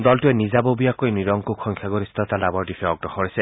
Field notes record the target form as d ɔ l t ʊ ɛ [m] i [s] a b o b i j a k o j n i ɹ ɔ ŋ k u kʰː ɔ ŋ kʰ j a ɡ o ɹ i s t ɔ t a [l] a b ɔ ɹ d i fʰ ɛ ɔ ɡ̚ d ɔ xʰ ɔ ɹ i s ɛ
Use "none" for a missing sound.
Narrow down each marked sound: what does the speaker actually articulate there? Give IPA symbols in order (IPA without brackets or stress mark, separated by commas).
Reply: n, z, l